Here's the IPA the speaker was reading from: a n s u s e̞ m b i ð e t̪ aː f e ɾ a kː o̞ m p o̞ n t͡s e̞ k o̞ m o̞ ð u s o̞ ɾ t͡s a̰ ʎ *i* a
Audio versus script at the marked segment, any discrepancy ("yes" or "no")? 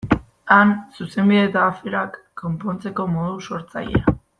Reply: yes